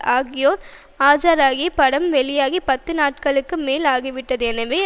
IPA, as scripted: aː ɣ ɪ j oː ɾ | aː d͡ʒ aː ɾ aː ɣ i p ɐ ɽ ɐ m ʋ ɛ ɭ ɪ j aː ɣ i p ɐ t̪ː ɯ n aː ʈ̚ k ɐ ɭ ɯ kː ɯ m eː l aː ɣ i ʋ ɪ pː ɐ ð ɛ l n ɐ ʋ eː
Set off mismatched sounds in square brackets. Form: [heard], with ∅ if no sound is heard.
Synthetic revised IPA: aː ɣ ɪ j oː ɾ | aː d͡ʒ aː ɾ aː ɣ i p ɐ ɽ ɐ m ʋ ɛ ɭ ɪ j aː ɣ i p ɐ t̪ː ɯ n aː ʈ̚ k ɐ ɭ ɯ kː ɯ m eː l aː ɣ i ʋ ɪ [ʈː] ɐ ð ɛ [∅] n ɐ ʋ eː